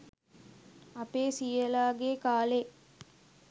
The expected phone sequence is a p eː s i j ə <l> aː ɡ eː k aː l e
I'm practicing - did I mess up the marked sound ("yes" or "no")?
no